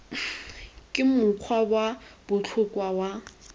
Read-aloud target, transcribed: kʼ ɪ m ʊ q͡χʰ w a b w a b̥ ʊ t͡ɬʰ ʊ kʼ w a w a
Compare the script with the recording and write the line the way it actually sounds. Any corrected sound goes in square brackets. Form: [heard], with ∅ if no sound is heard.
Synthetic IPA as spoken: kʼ ɪ m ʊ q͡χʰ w a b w a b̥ ʊ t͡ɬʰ ʊ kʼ w a w a